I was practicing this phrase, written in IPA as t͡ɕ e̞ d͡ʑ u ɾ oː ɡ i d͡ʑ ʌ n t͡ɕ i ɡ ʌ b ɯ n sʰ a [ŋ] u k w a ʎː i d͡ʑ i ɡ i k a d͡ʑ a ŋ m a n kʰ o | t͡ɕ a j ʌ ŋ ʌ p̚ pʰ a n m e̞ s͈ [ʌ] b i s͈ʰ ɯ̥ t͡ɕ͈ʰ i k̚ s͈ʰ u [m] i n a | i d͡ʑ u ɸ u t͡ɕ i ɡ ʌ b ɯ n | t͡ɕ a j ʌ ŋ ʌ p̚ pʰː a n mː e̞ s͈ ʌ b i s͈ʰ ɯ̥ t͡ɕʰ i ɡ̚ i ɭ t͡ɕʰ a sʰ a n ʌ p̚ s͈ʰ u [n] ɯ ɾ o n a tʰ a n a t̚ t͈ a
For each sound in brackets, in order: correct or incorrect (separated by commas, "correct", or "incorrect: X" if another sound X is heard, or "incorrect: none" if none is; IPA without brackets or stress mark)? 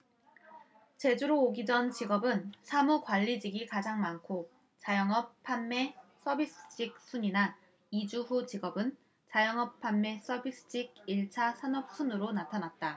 incorrect: m, correct, incorrect: ɲ, correct